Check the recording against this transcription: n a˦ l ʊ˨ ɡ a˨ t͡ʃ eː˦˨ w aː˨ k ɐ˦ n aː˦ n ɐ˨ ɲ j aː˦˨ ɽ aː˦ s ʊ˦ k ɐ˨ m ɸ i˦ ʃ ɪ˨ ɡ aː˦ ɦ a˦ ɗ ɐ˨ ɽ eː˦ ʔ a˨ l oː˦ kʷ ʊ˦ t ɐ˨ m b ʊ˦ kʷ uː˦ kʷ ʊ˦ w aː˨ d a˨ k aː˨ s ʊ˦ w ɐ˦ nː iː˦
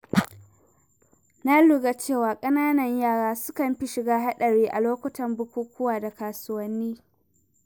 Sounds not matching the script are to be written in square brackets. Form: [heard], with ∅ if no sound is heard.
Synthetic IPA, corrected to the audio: n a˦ l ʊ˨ ɡ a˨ t͡ʃ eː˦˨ w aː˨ [kʼ] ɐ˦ n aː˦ n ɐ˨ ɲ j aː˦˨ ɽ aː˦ s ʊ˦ k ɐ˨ m ɸ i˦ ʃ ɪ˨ ɡ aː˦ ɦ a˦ ɗ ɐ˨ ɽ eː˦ ʔ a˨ l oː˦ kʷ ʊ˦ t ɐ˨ m b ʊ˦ kʷ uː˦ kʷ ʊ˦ w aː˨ d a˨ k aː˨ s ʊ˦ w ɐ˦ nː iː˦